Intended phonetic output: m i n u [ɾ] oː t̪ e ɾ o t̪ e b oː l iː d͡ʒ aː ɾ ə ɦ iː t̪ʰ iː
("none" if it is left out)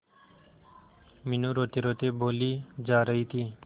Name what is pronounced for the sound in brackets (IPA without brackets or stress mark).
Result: ɾ